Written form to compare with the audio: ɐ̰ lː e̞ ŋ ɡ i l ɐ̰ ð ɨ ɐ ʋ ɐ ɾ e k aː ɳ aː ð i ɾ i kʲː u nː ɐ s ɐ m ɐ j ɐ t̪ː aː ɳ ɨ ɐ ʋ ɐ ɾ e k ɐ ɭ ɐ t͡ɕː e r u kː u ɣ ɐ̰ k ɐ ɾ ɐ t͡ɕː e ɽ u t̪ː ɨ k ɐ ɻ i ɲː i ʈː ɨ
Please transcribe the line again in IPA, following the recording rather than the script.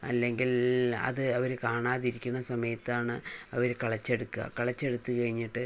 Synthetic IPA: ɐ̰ lː e̞ ŋ ɡ i l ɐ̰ ð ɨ ɐ ʋ ɐ ɾ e k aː ɳ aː ð i ɾ i kʲː u nː ɐ s ɐ m ɐ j ɐ t̪ː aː ɳ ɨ ɐ ʋ ɐ ɾ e k ɐ ɭ ɐ t͡ɕː e ɽ u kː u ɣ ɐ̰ k ɐ ɭ ɐ t͡ɕː e ɽ u t̪ː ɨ k ɐ ɻ i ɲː i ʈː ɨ